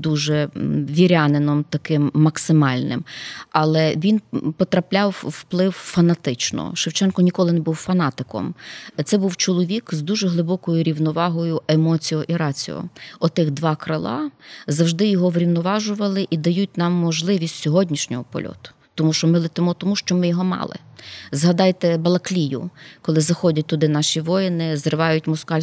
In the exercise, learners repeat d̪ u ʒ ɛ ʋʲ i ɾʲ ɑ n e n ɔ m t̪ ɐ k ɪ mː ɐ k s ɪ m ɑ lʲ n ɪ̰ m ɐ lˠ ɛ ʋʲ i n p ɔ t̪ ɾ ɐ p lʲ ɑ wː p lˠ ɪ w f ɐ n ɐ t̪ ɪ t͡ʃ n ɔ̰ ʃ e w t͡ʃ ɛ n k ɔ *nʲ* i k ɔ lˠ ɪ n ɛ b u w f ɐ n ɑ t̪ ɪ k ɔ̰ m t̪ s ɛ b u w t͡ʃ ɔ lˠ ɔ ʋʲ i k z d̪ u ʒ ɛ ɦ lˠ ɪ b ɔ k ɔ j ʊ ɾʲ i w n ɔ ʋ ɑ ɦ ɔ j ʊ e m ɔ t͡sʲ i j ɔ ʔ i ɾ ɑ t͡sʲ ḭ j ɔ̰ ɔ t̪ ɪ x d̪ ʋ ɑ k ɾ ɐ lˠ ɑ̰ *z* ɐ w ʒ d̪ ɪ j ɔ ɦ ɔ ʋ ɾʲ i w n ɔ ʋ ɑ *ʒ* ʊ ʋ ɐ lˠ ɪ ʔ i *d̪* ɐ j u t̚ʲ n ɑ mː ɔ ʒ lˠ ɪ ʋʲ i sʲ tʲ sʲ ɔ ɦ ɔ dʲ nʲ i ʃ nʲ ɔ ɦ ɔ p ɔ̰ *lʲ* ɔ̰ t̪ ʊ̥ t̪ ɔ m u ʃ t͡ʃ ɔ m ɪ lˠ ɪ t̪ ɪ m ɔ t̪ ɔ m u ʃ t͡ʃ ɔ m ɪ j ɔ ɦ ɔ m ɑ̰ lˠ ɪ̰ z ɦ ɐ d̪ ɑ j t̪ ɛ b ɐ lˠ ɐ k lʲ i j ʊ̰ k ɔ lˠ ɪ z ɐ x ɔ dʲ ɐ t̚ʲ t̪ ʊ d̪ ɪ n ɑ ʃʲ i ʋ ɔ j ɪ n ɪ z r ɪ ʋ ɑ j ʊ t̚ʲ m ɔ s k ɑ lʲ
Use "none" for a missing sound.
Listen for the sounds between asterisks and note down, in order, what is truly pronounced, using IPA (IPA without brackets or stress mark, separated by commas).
nʲ, z, ʒ, d̪, lʲ